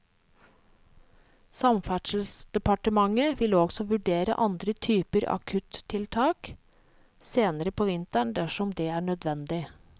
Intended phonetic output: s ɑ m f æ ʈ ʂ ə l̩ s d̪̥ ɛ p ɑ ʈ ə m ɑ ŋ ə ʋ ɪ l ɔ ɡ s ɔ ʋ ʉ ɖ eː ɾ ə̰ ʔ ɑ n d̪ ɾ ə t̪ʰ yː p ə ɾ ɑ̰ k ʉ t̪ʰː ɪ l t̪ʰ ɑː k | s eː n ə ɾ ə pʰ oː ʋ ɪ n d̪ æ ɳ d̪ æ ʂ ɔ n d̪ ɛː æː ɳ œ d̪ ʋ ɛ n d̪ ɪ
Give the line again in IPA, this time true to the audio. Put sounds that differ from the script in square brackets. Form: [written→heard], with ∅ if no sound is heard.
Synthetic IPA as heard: s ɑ m f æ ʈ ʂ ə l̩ s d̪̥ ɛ p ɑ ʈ ə m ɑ ŋ ə ʋ ɪ l ɔ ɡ s ɔ ʋ ʉ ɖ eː ɾ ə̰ ʔ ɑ n d̪ ɾ ə t̪ʰ yː p ə ɾ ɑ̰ [k→kʰ] ʉ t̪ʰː ɪ l t̪ʰ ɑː k | s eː n ə ɾ ə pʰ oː ʋ ɪ n [d̪→t̪] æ ɳ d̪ æ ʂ ɔ [n→m] d̪ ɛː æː ɳ œ d̪ ʋ ɛ n d̪ ɪ